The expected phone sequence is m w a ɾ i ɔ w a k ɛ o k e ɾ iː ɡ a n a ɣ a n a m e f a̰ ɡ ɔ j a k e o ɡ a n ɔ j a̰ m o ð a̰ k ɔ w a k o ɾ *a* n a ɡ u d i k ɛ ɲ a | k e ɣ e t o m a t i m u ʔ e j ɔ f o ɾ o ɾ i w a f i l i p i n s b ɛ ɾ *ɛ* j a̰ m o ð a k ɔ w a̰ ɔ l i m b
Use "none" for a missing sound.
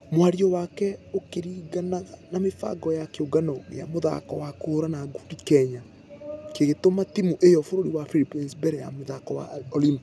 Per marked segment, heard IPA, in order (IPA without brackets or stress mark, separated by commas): a, ɛ